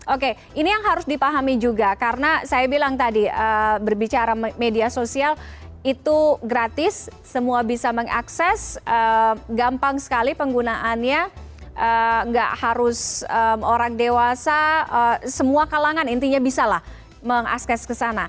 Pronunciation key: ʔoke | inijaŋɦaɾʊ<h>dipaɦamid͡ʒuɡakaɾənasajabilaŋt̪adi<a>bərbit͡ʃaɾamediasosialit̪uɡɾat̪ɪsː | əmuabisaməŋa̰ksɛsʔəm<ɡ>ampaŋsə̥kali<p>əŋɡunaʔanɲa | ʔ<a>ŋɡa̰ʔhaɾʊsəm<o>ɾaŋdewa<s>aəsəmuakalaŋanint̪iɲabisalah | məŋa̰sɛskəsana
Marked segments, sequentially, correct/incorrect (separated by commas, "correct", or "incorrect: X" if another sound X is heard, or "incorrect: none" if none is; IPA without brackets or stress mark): incorrect: s, incorrect: ə, correct, correct, incorrect: ə, correct, correct